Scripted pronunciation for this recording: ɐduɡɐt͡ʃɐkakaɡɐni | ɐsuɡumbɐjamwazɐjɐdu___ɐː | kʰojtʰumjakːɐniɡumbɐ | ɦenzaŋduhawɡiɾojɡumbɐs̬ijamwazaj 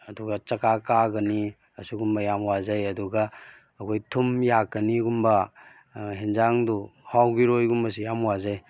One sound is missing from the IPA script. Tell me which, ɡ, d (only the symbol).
ɡ